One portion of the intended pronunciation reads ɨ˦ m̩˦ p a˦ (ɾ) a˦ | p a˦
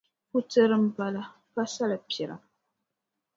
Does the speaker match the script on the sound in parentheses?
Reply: no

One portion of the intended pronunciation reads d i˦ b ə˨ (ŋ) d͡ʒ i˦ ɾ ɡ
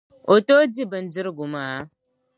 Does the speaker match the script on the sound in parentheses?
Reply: no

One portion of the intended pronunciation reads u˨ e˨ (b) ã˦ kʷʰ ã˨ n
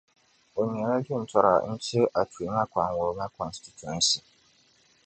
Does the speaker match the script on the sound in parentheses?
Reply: no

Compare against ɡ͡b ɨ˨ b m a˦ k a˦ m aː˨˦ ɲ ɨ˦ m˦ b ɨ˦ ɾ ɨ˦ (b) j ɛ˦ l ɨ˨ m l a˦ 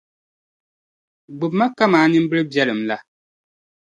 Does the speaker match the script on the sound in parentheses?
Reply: yes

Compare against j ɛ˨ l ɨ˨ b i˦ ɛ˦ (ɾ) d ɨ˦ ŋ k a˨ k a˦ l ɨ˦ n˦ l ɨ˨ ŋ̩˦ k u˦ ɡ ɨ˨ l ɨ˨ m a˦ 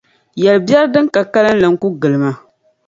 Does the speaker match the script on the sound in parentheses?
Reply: yes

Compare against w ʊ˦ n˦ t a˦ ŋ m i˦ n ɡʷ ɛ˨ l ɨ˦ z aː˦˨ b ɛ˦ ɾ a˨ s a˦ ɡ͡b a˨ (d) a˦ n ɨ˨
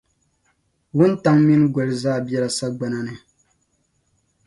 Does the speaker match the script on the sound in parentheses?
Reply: no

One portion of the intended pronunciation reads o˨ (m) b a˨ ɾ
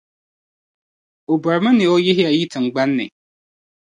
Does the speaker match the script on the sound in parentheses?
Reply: no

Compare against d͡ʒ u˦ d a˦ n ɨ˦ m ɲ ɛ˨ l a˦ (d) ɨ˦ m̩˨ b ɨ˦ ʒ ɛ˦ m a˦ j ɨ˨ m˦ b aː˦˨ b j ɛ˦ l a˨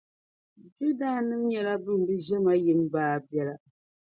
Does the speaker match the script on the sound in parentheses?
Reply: no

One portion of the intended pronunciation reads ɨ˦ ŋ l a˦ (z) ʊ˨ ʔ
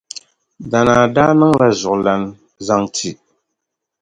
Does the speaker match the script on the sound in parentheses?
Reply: yes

